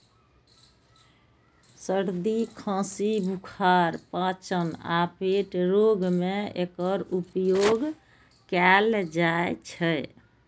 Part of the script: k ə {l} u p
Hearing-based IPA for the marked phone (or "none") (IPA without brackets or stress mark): ɾ